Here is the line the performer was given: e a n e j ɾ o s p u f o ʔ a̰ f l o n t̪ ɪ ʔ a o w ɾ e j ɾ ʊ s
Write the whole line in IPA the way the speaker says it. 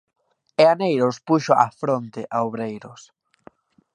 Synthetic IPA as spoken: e a n e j ɾ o s p u ʃ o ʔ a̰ f ɾ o n t̪ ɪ ʔ a o β ɾ e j ɾ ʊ s